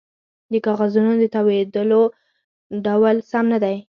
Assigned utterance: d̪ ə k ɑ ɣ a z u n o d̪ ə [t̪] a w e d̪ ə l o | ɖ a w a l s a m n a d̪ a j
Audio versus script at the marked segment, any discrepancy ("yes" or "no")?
no